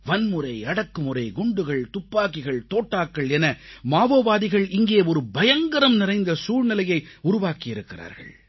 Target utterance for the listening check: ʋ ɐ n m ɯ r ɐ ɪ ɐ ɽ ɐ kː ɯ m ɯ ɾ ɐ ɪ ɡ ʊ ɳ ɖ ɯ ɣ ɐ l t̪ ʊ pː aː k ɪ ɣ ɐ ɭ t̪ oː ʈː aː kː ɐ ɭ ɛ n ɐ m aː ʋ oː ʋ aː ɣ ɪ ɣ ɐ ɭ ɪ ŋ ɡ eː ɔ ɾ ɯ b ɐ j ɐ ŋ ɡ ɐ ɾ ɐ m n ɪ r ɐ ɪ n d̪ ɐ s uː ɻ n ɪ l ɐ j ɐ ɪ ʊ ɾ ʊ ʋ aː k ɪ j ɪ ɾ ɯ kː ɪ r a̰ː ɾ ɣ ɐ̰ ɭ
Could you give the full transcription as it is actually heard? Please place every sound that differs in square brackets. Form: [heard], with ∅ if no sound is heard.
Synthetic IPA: ʋ ɐ n m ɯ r ɐ ɪ ɐ ɽ ɐ kː ɯ m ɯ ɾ ɐ ɪ ɡ ʊ ɳ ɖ ɯ ɣ ɐ [ɭ] t̪ ʊ pː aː k ɪ ɣ ɐ ɭ t̪ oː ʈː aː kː ɐ ɭ ɛ n ɐ m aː ʋ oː ʋ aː [ð] ɪ ɣ ɐ ɭ ɪ ŋ ɡ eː ɔ ɾ ɯ b ɐ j ɐ ŋ ɡ ɐ ɾ ɐ m n ɪ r ɐ ɪ n d̪ ɐ s uː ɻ n ɪ l ɐ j ɐ ɪ ʊ ɾ ʊ ʋ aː k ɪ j ɪ ɾ ɯ kː ɪ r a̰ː ɾ ɣ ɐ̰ ɭ